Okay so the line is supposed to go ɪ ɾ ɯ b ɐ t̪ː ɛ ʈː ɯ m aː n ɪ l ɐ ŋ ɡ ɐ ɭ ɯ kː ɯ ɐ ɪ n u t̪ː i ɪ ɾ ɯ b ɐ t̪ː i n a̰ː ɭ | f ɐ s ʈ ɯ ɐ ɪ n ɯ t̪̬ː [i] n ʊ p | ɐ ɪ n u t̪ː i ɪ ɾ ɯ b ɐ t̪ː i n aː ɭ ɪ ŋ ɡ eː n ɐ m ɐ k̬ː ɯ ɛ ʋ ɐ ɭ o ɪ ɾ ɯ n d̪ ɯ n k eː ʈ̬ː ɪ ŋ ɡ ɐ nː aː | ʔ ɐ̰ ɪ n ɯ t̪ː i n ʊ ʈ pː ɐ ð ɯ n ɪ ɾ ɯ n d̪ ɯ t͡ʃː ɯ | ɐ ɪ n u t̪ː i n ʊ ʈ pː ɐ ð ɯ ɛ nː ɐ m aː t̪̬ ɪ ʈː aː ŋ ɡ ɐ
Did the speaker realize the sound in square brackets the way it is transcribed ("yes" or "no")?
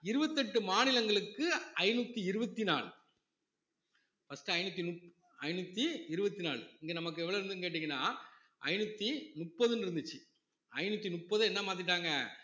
yes